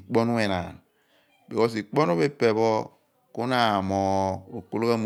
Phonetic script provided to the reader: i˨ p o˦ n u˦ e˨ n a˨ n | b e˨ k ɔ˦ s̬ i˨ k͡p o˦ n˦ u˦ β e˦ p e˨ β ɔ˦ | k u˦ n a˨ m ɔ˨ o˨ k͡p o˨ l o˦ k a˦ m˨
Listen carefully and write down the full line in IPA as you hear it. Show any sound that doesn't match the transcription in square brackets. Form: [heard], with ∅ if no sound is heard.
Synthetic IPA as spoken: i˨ [k͡p] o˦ n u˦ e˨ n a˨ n | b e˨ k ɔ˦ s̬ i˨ k͡p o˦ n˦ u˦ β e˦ p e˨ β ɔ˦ | k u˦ n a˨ m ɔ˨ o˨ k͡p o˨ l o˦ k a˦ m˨